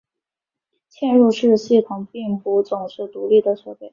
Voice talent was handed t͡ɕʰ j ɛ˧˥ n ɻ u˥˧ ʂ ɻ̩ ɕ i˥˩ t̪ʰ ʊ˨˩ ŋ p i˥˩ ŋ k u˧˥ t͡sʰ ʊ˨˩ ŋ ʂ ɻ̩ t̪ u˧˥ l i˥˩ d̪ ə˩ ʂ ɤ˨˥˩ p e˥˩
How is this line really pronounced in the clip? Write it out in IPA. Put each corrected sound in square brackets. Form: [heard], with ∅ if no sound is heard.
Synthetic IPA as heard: t͡ɕʰ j [ɛ˥˧] n ɻ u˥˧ ʂ ɻ̩ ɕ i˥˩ t̪ʰ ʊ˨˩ ŋ p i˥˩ ŋ [p] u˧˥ [t͡s] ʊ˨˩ ŋ ʂ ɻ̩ t̪ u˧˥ l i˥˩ d̪ ə˩ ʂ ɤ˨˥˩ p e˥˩